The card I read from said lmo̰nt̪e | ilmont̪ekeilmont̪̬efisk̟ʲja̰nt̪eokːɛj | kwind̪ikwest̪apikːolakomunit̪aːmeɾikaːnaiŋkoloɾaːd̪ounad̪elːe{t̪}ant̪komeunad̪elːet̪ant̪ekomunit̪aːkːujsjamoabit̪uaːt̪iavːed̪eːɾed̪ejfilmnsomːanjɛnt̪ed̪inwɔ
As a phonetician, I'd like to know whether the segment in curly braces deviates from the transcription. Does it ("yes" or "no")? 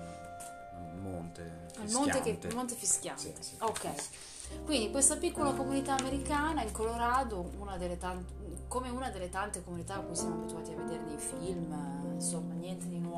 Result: no